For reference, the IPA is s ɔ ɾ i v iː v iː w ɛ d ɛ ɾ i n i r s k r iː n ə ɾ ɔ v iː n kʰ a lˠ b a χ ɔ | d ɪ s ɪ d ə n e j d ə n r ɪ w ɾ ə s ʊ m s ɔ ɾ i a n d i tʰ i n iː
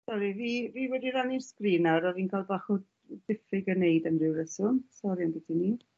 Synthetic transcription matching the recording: s ɔ ɾ i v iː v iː w ɛ d i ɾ a n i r s k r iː n a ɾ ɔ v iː n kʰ a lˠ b a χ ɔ | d ɪ f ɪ ɡ ə n e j d ə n r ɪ w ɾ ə s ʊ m s ɔ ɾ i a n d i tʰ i n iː